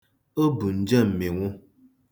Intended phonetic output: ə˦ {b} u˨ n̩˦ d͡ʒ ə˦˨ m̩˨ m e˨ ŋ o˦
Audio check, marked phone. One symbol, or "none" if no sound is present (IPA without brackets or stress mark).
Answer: b